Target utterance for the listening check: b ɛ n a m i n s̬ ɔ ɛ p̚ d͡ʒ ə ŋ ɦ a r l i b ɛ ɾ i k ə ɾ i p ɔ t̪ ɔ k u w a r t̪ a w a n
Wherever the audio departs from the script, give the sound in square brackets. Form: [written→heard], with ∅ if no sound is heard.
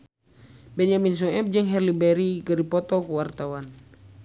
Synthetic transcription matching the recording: b ɛ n a m i n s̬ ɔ ɛ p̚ d͡ʒ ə ŋ ɦ [a→ɛ] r l i b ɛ ɾ i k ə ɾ i p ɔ t̪ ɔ k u w a r t̪ a w a n